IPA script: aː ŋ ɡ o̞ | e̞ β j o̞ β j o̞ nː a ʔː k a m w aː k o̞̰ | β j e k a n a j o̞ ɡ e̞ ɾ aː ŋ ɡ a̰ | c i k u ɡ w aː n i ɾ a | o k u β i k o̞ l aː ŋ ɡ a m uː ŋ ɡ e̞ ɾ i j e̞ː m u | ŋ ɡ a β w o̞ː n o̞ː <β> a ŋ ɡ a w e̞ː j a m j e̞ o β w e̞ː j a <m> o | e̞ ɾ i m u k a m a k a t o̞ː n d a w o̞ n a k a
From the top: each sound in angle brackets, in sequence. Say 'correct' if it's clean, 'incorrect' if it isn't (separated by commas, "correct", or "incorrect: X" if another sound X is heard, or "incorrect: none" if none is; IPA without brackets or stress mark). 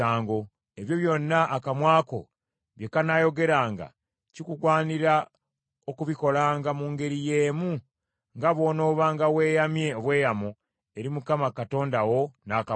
correct, correct